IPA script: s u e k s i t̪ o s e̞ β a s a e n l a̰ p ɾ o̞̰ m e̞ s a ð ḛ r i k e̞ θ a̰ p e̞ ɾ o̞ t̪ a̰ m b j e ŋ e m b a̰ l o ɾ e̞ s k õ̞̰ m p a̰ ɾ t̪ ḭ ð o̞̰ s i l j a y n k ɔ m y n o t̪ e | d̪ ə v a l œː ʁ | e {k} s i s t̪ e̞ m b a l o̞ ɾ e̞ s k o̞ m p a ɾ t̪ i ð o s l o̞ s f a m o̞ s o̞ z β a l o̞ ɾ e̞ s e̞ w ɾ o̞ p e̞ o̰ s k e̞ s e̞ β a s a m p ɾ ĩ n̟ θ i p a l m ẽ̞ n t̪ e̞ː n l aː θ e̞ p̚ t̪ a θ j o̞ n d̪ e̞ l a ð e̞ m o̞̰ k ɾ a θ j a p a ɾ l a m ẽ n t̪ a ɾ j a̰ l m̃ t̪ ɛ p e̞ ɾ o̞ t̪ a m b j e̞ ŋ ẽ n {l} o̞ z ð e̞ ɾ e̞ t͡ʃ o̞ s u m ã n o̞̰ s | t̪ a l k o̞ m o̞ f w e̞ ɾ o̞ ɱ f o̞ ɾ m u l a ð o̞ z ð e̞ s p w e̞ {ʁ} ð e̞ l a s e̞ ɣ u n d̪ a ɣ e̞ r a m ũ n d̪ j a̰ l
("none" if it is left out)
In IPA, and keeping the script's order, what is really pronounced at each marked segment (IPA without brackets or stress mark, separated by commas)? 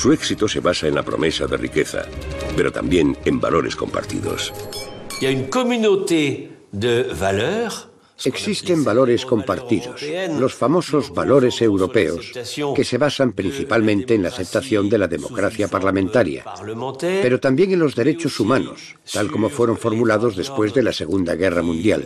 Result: k, l, z